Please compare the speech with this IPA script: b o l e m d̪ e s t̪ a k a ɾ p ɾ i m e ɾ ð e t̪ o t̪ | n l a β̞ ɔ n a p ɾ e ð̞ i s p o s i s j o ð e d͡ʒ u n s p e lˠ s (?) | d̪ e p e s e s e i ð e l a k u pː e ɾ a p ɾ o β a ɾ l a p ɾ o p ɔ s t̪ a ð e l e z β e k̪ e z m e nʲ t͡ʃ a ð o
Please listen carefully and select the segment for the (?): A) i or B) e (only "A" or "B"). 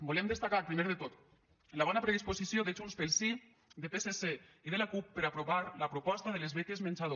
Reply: A